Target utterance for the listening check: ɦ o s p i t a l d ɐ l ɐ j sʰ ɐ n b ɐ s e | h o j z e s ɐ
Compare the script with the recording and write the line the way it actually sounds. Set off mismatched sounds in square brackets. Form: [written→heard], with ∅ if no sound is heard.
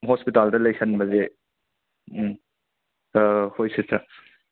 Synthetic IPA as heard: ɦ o s p i t a l d ɐ l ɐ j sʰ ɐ n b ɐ [s→z] e | h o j [z→s] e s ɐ